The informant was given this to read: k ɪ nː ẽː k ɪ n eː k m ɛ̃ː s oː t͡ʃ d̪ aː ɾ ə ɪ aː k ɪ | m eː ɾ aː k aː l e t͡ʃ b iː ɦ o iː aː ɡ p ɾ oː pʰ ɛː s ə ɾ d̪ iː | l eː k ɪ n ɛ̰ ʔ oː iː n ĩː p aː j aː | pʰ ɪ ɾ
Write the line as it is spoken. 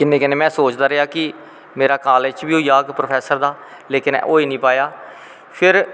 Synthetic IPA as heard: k ɪ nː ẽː k ɪ n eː m ɛ̃ː s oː t͡ʃ d̪ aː ɾ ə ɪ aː k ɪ | m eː ɾ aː k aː l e t͡ʃ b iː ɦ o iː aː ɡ p ɾ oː pʰ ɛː s ə ɾ d̪ aː | l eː k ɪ n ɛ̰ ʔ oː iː n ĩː p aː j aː | pʰ ɪ ɾ